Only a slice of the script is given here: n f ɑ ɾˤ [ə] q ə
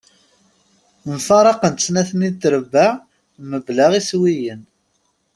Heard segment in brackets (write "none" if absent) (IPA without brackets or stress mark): ɑ